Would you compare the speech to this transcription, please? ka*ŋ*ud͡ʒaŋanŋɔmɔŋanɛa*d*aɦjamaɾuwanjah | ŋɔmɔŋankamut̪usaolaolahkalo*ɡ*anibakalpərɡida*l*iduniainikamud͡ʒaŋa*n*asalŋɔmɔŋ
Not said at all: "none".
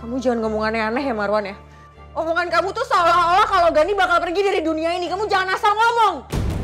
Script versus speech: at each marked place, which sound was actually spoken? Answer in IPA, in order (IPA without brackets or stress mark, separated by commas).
m, n, ɡ, ɾ, n